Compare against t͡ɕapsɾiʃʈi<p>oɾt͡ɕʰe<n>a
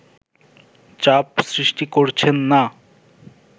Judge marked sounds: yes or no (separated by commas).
no, no